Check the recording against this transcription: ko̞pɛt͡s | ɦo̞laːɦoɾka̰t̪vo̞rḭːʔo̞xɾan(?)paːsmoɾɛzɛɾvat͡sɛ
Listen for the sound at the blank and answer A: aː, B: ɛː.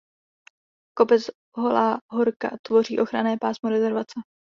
B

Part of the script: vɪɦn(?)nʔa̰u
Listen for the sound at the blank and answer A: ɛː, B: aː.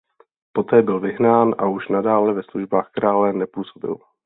B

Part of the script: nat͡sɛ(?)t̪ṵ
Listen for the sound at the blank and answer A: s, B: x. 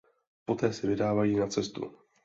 A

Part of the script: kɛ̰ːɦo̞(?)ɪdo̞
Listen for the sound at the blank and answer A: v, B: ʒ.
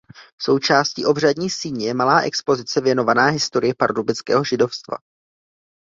B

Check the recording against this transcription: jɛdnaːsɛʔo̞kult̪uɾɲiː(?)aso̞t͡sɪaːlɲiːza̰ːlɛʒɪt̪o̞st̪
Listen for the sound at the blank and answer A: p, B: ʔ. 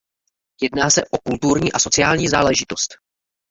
B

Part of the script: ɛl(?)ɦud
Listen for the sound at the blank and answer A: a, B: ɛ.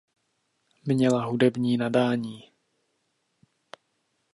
A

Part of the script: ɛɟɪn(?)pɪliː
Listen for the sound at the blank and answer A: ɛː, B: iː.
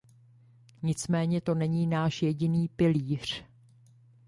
B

